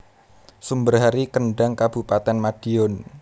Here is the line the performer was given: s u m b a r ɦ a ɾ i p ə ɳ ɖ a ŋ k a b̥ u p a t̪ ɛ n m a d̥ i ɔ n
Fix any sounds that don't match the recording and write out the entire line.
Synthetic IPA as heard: s u m b ə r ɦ a ɾ i k ə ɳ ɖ a ŋ k a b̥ u p a t̪ ɛ n m a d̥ i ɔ n